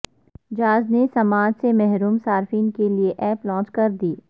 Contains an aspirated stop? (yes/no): no